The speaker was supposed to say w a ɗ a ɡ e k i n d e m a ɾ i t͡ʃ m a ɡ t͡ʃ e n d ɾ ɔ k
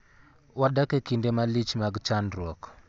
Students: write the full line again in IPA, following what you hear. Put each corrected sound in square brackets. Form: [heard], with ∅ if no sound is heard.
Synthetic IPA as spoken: w a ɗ a [k] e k i n d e m a [l] i t͡ʃ m a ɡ t͡ʃ [a] n d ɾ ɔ k